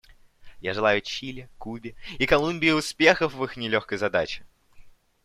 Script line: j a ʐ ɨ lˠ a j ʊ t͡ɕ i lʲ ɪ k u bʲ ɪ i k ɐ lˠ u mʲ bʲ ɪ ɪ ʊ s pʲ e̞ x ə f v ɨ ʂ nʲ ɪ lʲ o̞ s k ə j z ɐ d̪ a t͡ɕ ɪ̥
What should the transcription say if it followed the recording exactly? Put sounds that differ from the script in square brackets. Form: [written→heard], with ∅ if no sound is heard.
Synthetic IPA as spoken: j a ʐ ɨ lˠ a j ʊ t͡ɕ i lʲ ɪ k u bʲ ɪ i k ɐ lˠ u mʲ bʲ ɪ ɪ ʊ s pʲ e̞ x ə f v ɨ [ʂ→x] nʲ ɪ lʲ o̞ [s→x] k ə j z ɐ d̪ a t͡ɕ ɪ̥